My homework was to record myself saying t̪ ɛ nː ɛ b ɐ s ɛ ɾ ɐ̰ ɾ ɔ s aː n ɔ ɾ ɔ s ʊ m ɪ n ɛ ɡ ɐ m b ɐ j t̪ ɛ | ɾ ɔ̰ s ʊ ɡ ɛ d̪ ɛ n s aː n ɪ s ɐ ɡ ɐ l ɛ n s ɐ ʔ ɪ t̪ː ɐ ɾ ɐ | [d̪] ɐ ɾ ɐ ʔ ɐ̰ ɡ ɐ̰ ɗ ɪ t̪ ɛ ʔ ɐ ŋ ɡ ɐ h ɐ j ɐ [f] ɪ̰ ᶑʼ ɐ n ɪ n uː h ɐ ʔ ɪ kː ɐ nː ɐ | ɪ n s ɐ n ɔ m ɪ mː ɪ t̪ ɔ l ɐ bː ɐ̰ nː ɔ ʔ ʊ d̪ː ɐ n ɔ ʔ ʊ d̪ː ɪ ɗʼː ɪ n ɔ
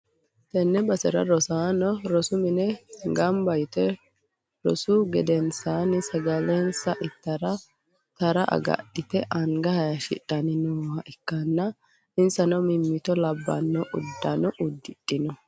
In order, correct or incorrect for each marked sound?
incorrect: t̪, incorrect: ʃ

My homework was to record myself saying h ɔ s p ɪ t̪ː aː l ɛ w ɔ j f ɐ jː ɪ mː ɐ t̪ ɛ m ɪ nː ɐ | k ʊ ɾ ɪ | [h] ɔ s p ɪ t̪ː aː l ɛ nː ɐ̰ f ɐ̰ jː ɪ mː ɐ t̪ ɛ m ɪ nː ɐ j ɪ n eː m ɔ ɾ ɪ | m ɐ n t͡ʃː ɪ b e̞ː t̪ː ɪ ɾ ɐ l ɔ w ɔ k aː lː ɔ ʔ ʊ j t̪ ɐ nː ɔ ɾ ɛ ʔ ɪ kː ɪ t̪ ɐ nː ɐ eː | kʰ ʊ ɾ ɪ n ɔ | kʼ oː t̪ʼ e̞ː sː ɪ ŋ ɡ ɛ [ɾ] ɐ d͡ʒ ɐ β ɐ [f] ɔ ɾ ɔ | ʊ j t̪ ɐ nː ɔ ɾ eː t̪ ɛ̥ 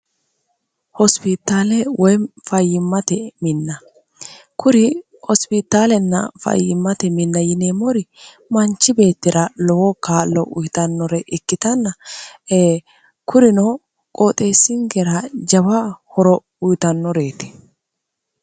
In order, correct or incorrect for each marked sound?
correct, correct, incorrect: h

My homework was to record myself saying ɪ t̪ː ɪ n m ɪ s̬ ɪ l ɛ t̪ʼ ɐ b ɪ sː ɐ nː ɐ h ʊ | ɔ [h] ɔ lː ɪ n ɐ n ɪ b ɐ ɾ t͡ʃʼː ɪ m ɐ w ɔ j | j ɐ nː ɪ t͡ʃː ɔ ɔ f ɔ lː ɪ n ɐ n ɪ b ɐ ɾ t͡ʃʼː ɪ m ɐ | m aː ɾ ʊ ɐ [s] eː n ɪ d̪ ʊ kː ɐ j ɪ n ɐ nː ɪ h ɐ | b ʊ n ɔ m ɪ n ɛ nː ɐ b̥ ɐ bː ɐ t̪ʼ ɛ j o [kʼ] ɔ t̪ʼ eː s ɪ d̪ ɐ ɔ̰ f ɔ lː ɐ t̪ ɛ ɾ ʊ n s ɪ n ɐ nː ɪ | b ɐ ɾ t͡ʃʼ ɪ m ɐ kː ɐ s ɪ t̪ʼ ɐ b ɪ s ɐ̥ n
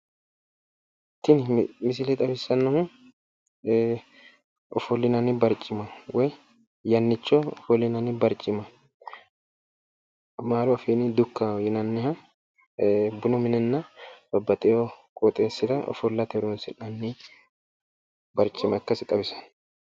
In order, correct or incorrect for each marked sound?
incorrect: f, incorrect: f, correct

